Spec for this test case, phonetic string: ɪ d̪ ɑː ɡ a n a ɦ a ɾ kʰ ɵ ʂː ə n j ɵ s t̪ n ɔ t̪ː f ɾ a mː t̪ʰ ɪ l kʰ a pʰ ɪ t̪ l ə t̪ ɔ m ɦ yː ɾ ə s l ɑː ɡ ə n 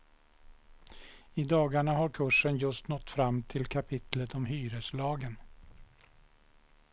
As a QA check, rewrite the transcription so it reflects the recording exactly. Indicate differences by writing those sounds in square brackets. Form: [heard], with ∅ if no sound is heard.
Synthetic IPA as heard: ɪ d̪ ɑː ɡ a [ɳ] a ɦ a ɾ kʰ ɵ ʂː ə n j ɵ s t̪ n ɔ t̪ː f ɾ a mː t̪ʰ ɪ l kʰ a pʰ ɪ t̪ l ə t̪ ɔ m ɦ yː ɾ ə s l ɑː ɡ ə n